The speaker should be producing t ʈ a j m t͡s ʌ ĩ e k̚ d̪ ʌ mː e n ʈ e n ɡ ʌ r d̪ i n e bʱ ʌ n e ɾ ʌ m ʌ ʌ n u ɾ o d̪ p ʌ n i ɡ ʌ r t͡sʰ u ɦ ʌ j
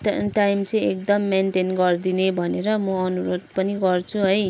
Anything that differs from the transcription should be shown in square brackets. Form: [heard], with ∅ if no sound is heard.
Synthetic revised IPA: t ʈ a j m t͡s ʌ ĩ e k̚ d̪ ʌ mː e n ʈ e n ɡ ʌ r d̪ i n e bʱ ʌ n e ɾ ʌ m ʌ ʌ n u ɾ o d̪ p ʌ n i ɡ ʌ r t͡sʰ u ɦ ʌ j